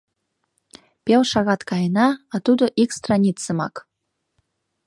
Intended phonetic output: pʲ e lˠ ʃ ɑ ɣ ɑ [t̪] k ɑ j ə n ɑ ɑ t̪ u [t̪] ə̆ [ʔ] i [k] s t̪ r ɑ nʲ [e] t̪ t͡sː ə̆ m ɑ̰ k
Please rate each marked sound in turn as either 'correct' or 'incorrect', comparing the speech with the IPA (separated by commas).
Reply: correct, incorrect, correct, correct, incorrect